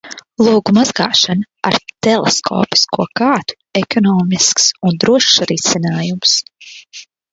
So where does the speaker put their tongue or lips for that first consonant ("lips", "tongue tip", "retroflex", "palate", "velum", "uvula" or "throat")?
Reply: tongue tip